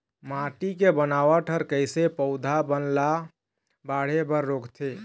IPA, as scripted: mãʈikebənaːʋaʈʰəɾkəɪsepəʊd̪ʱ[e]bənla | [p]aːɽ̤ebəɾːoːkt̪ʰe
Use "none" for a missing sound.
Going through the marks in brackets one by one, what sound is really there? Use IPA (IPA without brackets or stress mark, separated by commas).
a, b